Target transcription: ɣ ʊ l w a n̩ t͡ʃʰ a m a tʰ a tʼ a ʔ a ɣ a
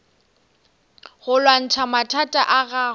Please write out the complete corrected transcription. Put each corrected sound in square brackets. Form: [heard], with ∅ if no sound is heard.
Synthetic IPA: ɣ ʊ l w a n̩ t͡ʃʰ a m a tʰ a tʼ a ʔ a ɣ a